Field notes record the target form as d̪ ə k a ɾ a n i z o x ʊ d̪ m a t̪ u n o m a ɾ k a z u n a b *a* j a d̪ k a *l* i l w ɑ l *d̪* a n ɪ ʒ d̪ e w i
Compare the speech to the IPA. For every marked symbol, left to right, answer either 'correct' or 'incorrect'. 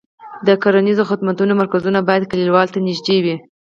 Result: incorrect, correct, incorrect

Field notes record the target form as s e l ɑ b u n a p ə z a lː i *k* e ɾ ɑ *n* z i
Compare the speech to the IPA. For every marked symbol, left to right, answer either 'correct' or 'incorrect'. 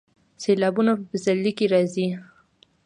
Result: correct, incorrect

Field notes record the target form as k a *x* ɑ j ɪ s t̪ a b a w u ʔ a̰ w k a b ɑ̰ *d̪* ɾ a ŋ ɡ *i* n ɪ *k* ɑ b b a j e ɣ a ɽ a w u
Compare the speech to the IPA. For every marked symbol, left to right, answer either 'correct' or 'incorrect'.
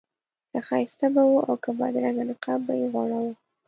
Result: correct, correct, incorrect, incorrect

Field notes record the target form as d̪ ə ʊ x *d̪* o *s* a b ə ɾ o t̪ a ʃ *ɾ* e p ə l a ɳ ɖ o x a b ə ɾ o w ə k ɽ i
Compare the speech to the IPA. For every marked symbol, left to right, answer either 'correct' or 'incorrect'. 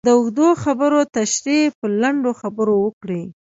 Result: correct, incorrect, correct

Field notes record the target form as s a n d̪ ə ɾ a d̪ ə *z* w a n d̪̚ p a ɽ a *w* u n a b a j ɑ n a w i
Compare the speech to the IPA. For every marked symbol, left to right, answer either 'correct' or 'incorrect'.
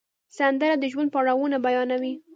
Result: incorrect, correct

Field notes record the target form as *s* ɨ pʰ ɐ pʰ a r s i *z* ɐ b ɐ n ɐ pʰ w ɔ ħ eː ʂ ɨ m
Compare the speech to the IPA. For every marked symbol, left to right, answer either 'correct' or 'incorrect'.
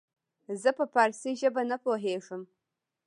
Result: incorrect, incorrect

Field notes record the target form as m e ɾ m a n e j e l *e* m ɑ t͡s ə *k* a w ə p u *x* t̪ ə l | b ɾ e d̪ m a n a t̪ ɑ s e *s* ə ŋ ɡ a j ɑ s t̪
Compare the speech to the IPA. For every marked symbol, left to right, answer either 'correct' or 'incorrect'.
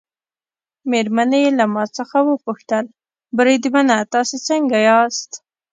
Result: incorrect, incorrect, correct, incorrect

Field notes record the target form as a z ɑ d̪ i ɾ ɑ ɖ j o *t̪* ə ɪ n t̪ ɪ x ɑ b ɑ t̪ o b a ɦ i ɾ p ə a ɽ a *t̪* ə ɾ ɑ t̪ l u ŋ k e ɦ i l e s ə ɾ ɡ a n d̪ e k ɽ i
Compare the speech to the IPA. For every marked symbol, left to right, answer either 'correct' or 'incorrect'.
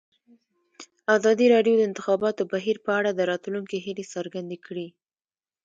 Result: incorrect, incorrect

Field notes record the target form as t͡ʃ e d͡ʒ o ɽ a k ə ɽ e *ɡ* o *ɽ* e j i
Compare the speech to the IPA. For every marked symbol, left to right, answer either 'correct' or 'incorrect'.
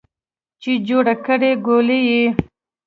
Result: correct, incorrect

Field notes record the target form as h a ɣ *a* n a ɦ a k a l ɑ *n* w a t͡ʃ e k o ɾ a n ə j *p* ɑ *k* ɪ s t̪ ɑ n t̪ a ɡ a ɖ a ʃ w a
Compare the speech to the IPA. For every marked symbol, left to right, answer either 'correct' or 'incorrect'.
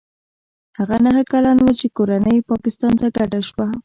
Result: correct, correct, correct, correct

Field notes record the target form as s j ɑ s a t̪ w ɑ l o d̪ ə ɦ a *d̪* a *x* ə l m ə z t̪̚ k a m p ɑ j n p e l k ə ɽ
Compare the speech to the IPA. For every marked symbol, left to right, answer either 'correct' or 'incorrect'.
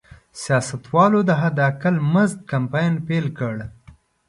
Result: correct, incorrect

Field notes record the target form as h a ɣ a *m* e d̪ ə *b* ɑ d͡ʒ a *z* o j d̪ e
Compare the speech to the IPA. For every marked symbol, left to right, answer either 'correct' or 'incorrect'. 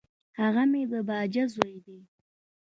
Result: correct, correct, correct

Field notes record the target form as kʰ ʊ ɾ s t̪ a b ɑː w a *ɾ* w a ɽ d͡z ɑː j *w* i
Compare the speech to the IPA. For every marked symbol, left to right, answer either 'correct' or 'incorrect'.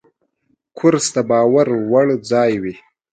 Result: correct, correct

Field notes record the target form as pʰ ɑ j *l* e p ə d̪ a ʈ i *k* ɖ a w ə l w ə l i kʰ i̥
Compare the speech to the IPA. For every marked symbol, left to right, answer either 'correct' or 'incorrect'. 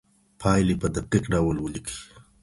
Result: correct, correct

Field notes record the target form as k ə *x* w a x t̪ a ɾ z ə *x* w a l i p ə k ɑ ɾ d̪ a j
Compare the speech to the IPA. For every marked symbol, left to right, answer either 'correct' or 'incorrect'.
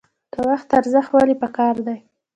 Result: incorrect, correct

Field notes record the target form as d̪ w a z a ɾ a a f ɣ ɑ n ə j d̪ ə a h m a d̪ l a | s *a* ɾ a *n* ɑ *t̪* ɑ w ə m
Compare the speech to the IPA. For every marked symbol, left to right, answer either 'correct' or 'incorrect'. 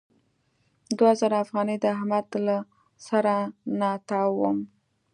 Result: correct, correct, correct

